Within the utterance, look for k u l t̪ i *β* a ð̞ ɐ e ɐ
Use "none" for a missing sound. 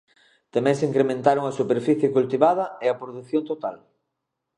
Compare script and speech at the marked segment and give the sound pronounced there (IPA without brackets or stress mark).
β